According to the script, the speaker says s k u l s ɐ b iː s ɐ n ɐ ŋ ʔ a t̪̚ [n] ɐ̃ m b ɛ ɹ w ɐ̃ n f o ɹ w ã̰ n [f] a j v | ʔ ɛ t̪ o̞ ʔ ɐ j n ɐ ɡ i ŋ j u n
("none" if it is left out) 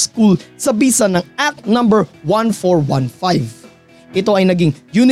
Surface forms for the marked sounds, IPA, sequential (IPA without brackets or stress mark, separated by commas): n, f